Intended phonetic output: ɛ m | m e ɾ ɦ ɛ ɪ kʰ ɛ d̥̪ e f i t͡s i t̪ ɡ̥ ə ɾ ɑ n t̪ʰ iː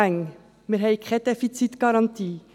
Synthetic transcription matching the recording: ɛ ŋ | m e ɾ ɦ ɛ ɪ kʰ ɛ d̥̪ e f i t͡s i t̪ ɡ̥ ɑ ɾ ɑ n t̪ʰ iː